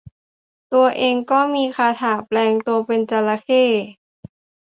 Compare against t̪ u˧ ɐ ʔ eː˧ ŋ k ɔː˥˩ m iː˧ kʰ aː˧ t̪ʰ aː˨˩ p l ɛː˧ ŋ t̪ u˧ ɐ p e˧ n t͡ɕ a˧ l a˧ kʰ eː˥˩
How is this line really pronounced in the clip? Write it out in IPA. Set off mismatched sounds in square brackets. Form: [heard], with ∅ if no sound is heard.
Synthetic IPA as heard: t̪ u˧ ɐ ʔ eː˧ ŋ k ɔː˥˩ m iː˧ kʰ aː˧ t̪ʰ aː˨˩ p l ɛː˧ ŋ t̪ u˧ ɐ p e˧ n t͡ɕ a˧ l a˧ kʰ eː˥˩

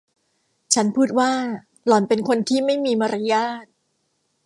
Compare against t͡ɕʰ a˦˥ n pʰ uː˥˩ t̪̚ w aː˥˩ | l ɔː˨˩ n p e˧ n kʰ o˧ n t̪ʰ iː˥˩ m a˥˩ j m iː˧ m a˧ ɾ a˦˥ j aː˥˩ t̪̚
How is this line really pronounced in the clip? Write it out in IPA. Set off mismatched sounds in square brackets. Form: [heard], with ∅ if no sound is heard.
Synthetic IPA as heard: t͡ɕʰ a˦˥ n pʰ uː˥˩ t̪̚ w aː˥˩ | l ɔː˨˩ n p e˧ n kʰ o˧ n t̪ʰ iː˥˩ m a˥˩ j m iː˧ m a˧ ɾ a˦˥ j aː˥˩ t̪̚

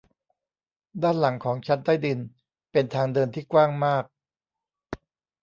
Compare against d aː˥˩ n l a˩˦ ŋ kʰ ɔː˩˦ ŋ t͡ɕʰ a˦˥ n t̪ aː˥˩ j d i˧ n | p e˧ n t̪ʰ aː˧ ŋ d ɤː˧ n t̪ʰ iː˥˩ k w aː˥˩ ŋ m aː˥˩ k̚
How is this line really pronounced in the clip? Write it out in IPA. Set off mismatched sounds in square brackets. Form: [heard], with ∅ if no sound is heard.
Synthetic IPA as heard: d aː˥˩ n l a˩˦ ŋ kʰ ɔː˩˦ ŋ t͡ɕʰ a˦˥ n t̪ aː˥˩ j d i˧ n | p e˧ n t̪ʰ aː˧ ŋ d ɤː˧ n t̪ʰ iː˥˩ k w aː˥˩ ŋ m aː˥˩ k̚

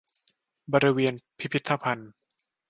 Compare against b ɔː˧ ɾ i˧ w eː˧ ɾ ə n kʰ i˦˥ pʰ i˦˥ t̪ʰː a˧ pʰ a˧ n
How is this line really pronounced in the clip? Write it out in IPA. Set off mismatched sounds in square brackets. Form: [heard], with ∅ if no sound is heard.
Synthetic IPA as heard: b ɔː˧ ɾ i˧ w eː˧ [∅] ə n [pʰ] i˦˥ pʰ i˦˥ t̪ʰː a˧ pʰ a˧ n

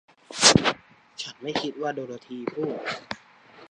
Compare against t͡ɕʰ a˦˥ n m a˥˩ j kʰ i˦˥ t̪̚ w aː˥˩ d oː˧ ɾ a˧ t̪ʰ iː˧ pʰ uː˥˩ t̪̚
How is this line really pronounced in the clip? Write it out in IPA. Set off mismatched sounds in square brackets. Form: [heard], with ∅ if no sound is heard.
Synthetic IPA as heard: t͡ɕʰ a˦˥ n m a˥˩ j kʰ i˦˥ t̪̚ w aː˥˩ d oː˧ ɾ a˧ t̪ʰ iː˧ pʰ uː˥˩ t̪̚

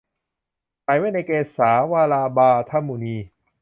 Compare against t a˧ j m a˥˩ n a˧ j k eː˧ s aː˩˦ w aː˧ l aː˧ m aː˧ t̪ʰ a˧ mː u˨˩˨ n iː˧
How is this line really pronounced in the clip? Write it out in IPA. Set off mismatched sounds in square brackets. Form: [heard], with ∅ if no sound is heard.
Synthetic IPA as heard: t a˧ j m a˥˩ n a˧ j k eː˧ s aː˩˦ w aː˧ l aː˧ [b] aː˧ t̪ʰ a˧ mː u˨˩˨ n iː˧

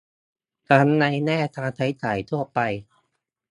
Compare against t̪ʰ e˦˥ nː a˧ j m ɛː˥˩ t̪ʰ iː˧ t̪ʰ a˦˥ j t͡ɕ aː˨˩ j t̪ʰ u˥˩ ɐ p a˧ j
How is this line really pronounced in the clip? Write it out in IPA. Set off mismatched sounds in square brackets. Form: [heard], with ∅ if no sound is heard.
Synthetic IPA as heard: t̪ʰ [a˦˥] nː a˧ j [n] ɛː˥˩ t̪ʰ [aː˧] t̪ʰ a˦˥ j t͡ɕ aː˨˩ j t̪ʰ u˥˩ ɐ p a˧ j

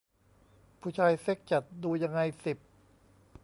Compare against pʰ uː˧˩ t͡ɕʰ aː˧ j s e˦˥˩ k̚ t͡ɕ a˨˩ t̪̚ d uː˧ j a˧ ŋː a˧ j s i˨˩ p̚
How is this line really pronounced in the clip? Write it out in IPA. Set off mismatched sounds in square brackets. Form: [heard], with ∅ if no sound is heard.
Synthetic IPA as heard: pʰ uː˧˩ t͡ɕʰ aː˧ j s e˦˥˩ k̚ t͡ɕ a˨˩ t̪̚ d uː˧ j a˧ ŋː a˧ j s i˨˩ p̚

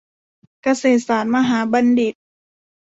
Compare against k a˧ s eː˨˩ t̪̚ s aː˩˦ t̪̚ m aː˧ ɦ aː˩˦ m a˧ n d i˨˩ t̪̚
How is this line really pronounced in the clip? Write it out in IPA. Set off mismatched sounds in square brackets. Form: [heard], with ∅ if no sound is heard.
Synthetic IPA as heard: k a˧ s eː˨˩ t̪̚ s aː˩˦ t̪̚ m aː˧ ɦ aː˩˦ [b] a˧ n d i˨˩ t̪̚

